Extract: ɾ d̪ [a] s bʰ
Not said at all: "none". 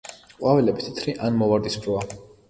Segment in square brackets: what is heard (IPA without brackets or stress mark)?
i